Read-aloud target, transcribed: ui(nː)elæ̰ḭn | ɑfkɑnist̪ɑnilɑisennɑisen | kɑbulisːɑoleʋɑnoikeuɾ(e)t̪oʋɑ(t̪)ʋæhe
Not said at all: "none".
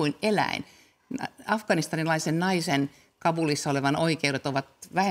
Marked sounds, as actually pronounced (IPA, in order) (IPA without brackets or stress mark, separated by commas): n, e, t̪